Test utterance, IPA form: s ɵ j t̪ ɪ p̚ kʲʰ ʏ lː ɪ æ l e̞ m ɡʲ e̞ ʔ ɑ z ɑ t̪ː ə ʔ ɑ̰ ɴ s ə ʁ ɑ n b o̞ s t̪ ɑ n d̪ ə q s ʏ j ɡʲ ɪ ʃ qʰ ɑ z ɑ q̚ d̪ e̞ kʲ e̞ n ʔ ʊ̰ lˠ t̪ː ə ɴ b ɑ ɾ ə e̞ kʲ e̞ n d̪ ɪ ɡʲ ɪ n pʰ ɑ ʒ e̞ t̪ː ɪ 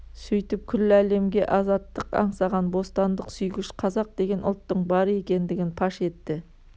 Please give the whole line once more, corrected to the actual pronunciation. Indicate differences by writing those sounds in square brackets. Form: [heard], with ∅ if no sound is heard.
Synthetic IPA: s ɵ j t̪ ɪ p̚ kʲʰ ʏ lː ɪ æ l e̞ m ɡʲ e̞ ʔ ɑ z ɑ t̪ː ə [q] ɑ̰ ɴ s [ɑ] ʁ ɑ n b o̞ s t̪ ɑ n d̪ ə q s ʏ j ɡʲ ɪ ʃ qʰ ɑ z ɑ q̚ d̪ e̞ [ɡʲ] e̞ n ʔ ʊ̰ lˠ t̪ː ə ɴ b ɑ ɾ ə e̞ kʲ e̞ n d̪ ɪ ɡʲ ɪ n pʰ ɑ [ʃ] e̞ t̪ː ɪ